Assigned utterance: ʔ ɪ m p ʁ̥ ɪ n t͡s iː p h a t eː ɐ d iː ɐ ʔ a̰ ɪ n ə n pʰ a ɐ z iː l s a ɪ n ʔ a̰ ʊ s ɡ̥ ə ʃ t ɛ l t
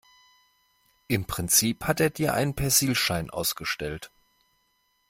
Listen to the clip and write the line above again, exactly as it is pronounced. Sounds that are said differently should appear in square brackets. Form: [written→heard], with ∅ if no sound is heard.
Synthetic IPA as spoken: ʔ ɪ m p ʁ̥ ɪ n t͡s iː p h a t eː ɐ d iː ɐ ʔ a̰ ɪ n ə n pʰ [a→ɛ] ɐ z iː l [s→ʃ] a ɪ n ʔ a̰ ʊ s ɡ̥ ə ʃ t ɛ l t